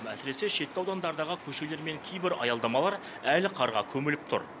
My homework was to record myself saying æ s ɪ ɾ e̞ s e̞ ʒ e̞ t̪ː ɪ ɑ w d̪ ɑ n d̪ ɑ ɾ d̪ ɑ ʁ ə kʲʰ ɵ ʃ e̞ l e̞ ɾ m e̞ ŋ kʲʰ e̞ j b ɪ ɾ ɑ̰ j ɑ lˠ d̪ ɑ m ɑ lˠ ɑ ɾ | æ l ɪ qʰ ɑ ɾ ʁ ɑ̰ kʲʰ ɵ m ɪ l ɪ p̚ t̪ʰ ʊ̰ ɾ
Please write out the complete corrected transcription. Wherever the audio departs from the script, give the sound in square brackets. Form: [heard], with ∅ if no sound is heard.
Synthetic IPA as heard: æ s ɪ ɾ e̞ s e̞ [ʃ] e̞ t̪ː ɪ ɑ w d̪ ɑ n d̪ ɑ ɾ d̪ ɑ ʁ ə kʲʰ ɵ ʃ e̞ l e̞ ɾ m e̞ ŋ kʲʰ e̞ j b ɪ ɾ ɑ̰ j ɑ lˠ d̪ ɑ m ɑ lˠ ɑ ɾ | æ l ɪ qʰ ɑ ɾ ʁ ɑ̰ kʲʰ ɵ m ɪ l ɪ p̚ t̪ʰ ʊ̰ ɾ